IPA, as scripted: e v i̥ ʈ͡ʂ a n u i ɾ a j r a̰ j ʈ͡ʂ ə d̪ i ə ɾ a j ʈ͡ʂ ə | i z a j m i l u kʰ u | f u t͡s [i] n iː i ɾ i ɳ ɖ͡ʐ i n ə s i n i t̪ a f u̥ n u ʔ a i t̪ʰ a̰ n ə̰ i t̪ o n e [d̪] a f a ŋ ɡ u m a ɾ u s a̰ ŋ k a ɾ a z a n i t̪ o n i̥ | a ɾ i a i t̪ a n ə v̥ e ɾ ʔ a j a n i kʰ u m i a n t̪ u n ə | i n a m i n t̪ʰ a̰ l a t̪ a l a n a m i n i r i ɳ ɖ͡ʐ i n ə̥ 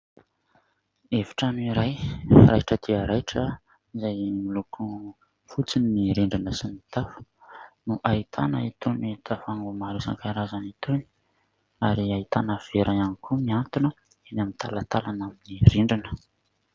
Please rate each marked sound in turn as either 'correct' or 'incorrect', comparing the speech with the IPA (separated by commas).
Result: correct, incorrect